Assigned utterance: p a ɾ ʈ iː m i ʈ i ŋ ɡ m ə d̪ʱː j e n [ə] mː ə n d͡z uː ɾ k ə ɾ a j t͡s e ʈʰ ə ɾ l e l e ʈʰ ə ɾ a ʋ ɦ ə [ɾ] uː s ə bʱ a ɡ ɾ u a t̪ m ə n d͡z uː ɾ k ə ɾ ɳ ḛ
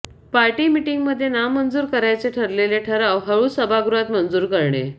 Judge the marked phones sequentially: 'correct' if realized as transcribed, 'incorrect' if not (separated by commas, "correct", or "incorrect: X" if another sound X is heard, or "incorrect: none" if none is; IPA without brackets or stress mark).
incorrect: a, incorrect: ɭ